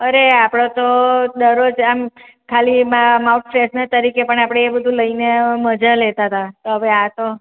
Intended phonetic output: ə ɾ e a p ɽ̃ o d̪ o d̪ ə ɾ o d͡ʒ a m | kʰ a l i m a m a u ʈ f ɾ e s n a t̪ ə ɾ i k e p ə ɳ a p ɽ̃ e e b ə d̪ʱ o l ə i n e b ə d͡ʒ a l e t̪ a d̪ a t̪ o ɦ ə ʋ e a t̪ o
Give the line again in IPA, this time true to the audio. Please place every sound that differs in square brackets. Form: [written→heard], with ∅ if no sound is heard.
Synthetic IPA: ə ɾ e a p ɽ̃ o [d̪→t̪] o d̪ ə ɾ o d͡ʒ a m | kʰ a l i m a m a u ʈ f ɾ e s n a t̪ ə ɾ i k e p ə ɳ a p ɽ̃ e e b ə d̪ʱ [o→u] l ə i n e [b→m] ə d͡ʒ a l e t̪ a [d̪→t̪] a t̪ o ɦ ə ʋ e a t̪ o